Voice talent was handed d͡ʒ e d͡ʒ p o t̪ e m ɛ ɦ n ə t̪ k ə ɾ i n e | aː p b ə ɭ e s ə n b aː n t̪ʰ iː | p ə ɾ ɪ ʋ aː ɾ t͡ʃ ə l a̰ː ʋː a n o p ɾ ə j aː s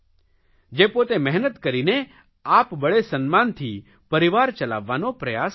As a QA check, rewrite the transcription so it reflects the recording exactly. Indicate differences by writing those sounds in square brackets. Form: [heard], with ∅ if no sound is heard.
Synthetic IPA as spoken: d͡ʒ e [∅] p o t̪ e m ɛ ɦ n ə t̪ k ə ɾ i n e | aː p b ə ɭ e s ə n [m] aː n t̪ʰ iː | p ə ɾ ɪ ʋ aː ɾ t͡ʃ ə l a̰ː ʋː a n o p ɾ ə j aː s